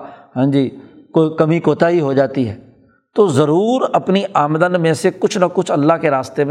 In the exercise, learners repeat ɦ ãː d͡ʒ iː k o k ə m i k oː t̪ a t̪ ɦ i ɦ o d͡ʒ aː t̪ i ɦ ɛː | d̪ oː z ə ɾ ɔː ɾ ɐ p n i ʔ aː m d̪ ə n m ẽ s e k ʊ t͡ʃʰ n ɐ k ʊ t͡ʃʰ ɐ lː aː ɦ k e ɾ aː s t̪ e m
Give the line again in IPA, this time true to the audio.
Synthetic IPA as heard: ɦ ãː d͡ʒ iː k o k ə m i k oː t̪ a ɦ i ɦ o d͡ʒ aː t̪ i ɦ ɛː | t̪ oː z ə ɾ uː ɾ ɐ p n i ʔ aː m d̪ ə n m ẽ s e k ʊ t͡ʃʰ n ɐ k ʊ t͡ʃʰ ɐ lː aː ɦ k e ɾ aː s t̪ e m